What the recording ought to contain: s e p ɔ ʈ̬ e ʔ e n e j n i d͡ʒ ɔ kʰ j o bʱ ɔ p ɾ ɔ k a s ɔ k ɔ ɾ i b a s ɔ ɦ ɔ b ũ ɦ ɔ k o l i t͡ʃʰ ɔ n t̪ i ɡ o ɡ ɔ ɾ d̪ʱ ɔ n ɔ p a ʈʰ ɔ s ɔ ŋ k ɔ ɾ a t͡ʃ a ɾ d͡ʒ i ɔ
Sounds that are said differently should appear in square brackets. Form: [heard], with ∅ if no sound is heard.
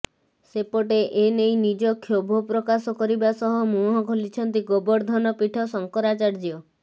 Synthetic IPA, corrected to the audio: s e p ɔ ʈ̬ e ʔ e n e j n i d͡ʒ ɔ kʰ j o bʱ ɔ p ɾ ɔ k a s ɔ k ɔ ɾ i b a s ɔ ɦ ɔ [m] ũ ɦ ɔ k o l i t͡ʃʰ ɔ n t̪ i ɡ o [b] ɔ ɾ d̪ʱ ɔ n ɔ p [i] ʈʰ ɔ s ɔ ŋ k ɔ ɾ a t͡ʃ a ɾ d͡ʒ i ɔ